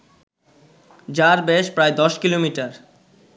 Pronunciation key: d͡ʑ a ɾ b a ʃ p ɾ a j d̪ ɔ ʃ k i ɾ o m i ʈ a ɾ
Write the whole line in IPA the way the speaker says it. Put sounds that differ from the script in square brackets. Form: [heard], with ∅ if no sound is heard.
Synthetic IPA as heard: d͡ʑ a ɾ b [e] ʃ p ɾ a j d̪ ɔ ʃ k i [l] o m i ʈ a ɾ